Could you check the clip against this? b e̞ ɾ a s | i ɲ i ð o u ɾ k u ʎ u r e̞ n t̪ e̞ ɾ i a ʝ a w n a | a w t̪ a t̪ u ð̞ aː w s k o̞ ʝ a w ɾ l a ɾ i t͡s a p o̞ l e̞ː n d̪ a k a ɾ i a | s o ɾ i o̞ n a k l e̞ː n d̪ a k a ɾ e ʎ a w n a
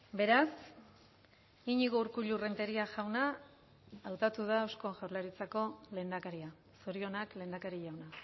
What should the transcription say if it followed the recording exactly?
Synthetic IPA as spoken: b e̞ ɾ a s | i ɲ i ɣ o u ɾ k u ʎ u r e̞ n t̪ e̞ ɾ i a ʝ a w n a | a w t̪ a t̪ u ð̞ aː w s k o̞ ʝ a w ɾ l a ɾ i t͡s a k o̞ l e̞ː n d̪ a k a ɾ i a | s o ɾ i o̞ n a k l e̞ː n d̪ a k a ɾ i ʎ a w n a

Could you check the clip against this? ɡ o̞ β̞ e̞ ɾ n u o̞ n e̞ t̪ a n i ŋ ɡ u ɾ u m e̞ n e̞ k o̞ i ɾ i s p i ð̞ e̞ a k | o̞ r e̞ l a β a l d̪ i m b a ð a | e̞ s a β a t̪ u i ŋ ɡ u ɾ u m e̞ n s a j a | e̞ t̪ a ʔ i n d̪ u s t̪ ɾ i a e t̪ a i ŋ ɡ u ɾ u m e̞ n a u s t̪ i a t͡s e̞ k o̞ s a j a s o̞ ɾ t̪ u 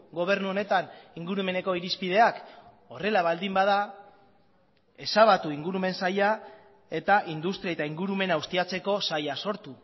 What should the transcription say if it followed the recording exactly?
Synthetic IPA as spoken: ɡ o̞ β̞ e̞ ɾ n u o̞ n e̞ t̪ a n i ŋ ɡ u ɾ u m e̞ n e̞ k o̞ i ɾ i s p i ð̞ e̞ a k | o̞ r e̞ l a β a l d̪ i m b a ð a | e̞ s a β a t̪ u i ŋ ɡ u ɾ u m e̞ n s a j a | e̞ t̪ a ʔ i n d̪ u s t̪ ɾ i a e t̪ a i ŋ ɡ u ɾ u m e̞ n a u s t̪ i a t͡s e̞ k o̞ s a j a s o̞ ɾ t̪ u

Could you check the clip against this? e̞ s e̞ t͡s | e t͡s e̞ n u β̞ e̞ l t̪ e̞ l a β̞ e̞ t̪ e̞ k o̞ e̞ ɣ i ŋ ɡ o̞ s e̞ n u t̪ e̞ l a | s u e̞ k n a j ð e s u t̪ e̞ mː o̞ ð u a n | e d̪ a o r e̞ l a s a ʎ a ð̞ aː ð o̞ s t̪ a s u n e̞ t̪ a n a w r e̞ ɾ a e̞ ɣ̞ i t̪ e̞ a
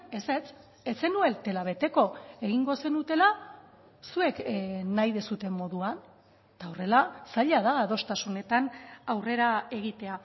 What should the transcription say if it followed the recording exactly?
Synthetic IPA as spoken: e̞ s e̞ t͡s | e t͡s e̞ n u e̞ l t̪ e̞ l a β̞ e̞ t̪ e̞ k o̞ e̞ ɣ i ŋ ɡ o̞ s e̞ n u t̪ e̞ l a | s u e̞ k n a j ð e s u t̪ e̞ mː o̞ ð u a n | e t̪ a o r e̞ l a s a ʎ a ð̞ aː ð o̞ s t̪ a s u n e̞ t̪ a n a w r e̞ ɾ a e̞ ɣ̞ i t̪ e̞ a

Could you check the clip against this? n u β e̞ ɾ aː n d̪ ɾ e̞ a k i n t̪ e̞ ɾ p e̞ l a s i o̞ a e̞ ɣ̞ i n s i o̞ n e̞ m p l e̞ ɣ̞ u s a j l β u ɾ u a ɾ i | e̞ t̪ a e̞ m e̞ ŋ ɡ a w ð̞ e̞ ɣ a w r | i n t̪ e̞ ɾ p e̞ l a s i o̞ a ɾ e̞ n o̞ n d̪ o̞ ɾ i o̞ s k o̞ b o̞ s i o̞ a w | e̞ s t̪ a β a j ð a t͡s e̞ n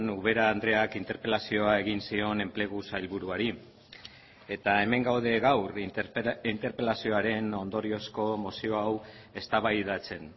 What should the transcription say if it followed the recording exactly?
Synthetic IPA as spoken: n u β e̞ ɾ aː n d̪ ɾ e̞ a k i n t̪ e̞ ɾ p e̞ l a s i o̞ a e̞ ɣ̞ i n s i o̞ n e̞ m p l e̞ ɣ̞ u s a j l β u ɾ u a ɾ i | e̞ t̪ a e̞ m e̞ ŋ ɡ a w ð̞ e̞ ɣ a w r | i n t̪ e̞ ɾ p e̞ l a s i o̞ a ɾ e̞ n o̞ n d̪ o̞ ɾ i o̞ s k o̞ m o̞ s i o̞ a w | e̞ s t̪ a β a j ð a t͡s e̞ n

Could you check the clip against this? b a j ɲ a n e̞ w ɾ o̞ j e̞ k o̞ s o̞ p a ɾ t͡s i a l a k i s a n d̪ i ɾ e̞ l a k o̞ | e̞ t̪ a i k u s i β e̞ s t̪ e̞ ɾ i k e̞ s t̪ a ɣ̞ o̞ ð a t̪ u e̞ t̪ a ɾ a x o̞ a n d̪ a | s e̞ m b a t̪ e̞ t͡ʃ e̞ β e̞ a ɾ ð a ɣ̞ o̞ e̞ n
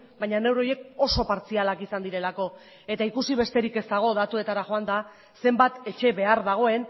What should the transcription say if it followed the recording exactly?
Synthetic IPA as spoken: b a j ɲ a n e̞ w ɾ o̞ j e̞ k o̞ s o̞ p a ɾ t͡s i a l a k i s a n d̪ i ɾ e̞ l a k o̞ | e̞ t̪ a i k u s i β e̞ s t̪ e̞ ɾ i k e̞ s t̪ a ɣ̞ o̞ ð a t̪ u e̞ t̪ a ɾ a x o̞ a n d̪ a | s e̞ m b a t̪ e̞ t͡ʃ e̞ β e̞ a ɾ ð a ɣ̞ o̞ e̞ n

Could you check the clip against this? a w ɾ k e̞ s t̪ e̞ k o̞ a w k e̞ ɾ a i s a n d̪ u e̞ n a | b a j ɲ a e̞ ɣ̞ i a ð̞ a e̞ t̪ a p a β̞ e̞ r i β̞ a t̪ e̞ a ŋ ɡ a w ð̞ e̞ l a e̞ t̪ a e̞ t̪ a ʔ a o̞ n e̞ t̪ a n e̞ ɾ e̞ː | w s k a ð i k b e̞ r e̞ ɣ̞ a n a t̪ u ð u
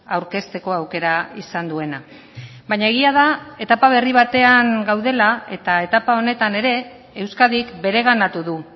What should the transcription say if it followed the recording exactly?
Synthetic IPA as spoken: a w ɾ k e̞ s t̪ e̞ k o̞ a w k e̞ ɾ a i s a n d̪ u e̞ n a | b a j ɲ a e̞ ɣ̞ i a ð̞ a e̞ t̪ a p a β̞ e̞ r i β̞ a t̪ e̞ a ŋ ɡ a w ð̞ e̞ l a e̞ t̪ a e̞ t̪ a p a o̞ n e̞ t̪ a n e̞ ɾ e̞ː | w s k a ð i k b e̞ ɾ e̞ ɣ̞ a n a t̪ u ð u

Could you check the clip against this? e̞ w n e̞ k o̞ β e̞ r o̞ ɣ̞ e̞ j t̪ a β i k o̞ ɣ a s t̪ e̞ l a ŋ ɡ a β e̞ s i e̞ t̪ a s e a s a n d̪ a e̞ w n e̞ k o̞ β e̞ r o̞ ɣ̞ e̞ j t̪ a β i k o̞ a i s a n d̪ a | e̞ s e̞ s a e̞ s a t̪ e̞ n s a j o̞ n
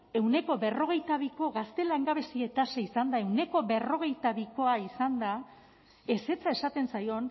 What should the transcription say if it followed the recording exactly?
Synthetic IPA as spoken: e̞ w n e̞ k o̞ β e̞ r o̞ ɣ̞ e̞ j t̪ a β i k o̞ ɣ a s t̪ e̞ l a ŋ ɡ a β e̞ s i e̞ t̪ a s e i s a n d̪ a e̞ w n e̞ k o̞ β e̞ r o̞ ɣ̞ e̞ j t̪ a β i k o̞ a i s a n d̪ a | e̞ s e̞ t͡s a e̞ s a t̪ e̞ n s a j o̞ n

